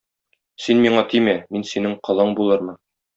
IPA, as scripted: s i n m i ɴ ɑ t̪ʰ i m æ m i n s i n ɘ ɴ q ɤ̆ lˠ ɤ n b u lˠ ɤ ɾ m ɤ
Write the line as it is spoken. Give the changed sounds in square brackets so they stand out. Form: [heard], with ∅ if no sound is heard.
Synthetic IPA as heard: s i n m i ɴ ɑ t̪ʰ i m æ m i n s i n ɘ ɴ q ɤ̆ lˠ ɤ [ɴ] b u lˠ ɤ ɾ m ɤ